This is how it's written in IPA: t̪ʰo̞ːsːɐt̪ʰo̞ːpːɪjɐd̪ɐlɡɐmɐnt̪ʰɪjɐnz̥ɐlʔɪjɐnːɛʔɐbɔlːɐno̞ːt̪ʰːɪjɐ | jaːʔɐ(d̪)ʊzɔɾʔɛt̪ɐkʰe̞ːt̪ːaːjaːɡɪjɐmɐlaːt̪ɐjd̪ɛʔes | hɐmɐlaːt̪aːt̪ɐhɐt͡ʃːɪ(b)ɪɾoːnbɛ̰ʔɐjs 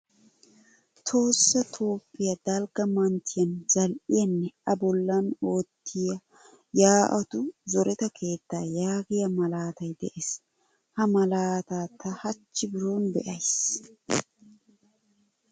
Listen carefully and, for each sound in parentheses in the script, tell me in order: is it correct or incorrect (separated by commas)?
incorrect, correct